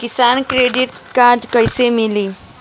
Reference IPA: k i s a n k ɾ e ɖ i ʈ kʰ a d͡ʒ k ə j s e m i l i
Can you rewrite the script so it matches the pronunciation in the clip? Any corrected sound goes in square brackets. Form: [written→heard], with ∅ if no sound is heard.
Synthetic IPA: k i s a n k ɾ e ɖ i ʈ [kʰ→k] a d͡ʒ k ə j s e m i l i